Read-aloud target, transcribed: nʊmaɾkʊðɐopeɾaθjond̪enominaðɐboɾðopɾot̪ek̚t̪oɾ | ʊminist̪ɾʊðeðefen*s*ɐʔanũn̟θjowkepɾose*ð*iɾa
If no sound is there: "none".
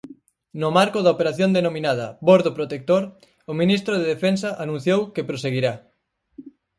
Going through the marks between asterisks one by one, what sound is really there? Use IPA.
s, ɣ

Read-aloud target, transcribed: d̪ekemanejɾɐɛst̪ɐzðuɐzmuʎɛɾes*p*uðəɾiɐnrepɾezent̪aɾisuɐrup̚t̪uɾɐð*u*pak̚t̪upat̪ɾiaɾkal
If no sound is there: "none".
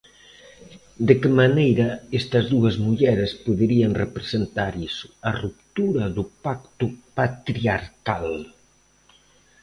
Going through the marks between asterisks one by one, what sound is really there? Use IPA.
p, u

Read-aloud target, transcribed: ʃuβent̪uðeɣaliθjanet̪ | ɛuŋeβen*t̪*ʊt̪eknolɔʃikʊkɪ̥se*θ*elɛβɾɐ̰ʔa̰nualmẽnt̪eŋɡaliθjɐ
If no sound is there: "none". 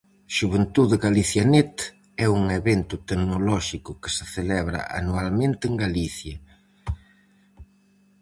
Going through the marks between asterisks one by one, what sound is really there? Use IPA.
t̪, θ

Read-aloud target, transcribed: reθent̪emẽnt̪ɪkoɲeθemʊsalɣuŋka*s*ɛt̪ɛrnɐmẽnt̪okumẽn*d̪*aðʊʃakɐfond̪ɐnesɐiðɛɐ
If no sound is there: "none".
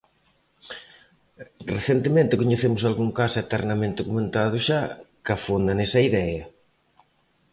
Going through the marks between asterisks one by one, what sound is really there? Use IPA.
s, t̪

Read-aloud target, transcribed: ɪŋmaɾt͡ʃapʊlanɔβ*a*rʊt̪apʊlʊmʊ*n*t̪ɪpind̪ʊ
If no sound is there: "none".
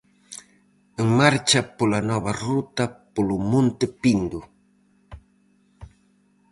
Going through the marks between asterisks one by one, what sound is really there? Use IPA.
a, n

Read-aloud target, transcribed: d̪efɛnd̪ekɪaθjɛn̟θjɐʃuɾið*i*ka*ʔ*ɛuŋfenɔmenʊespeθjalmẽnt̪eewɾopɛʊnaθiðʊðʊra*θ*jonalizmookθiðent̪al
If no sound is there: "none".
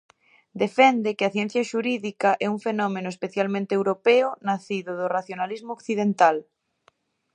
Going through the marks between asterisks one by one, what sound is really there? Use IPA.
i, ʔ, θ

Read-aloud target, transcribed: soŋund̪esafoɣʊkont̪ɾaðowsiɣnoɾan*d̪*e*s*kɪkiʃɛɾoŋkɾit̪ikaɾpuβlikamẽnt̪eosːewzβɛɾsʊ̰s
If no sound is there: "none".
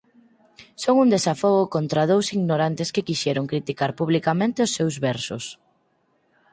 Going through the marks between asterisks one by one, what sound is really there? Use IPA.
t̪, s

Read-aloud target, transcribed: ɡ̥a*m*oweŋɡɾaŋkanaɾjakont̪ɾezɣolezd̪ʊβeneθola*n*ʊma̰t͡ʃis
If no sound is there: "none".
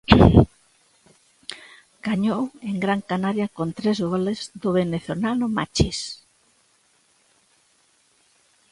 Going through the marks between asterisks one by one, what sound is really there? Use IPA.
ɲ, n

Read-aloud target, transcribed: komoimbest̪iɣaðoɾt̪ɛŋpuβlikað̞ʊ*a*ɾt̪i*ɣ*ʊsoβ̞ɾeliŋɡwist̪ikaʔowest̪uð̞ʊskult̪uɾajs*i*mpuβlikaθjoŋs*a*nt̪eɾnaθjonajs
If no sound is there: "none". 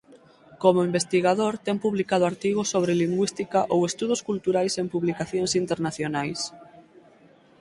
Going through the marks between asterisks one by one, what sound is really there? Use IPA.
a, ɣ, e, i

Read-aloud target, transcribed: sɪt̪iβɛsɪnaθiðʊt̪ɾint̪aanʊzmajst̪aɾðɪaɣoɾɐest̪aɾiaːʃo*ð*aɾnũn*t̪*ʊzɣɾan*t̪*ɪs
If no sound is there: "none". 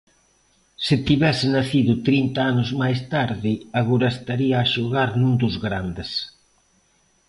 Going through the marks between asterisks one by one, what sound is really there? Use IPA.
ɣ, d̪, d̪

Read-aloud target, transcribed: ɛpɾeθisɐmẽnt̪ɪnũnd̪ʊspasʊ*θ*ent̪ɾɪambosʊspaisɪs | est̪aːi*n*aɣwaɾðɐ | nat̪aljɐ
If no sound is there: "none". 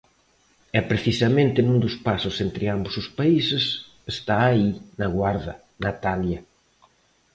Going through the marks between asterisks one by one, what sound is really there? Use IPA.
s, n

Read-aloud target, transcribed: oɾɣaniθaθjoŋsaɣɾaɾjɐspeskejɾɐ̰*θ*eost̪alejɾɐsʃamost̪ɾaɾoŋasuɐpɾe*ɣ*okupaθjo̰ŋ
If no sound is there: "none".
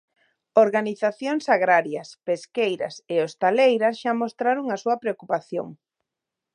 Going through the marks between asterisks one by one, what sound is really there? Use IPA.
s, none

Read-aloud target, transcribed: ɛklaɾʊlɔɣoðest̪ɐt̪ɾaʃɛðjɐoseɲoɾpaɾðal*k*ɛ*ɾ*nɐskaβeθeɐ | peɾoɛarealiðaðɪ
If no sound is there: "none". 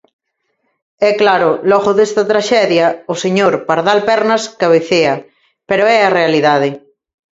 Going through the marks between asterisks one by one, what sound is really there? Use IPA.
p, ɾ

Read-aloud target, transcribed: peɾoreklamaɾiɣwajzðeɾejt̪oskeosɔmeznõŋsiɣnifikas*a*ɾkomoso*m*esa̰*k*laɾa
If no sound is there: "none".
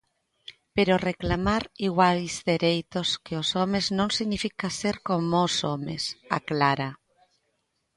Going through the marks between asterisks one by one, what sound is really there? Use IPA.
e, m, k

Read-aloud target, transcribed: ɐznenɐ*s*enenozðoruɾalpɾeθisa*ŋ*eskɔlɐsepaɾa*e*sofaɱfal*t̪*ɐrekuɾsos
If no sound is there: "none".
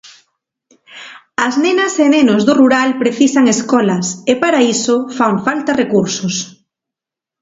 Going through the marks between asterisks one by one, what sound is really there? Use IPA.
s, ŋ, i, t̪

